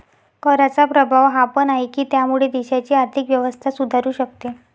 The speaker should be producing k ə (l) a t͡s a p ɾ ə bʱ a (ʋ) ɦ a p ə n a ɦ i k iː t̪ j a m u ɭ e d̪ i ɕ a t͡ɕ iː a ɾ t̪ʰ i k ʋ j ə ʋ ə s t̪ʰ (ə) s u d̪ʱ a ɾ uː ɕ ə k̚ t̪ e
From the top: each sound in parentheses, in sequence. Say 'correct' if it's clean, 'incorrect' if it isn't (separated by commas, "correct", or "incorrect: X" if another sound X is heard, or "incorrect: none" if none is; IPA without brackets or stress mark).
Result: incorrect: ɾ, correct, incorrect: a